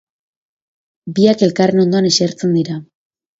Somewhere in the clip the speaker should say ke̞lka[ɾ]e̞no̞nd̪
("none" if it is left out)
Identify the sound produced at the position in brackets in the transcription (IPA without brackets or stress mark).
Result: r